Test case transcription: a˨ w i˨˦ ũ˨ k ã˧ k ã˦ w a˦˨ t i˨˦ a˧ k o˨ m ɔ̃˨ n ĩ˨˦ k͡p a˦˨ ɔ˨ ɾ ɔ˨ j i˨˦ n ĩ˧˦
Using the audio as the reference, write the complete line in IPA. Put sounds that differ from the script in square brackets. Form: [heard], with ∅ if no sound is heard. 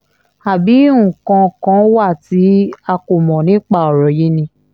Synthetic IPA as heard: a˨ [b] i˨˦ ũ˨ k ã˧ k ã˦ w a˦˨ t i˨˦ a˧ k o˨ m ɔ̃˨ n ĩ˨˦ k͡p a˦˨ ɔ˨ ɾ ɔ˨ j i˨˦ n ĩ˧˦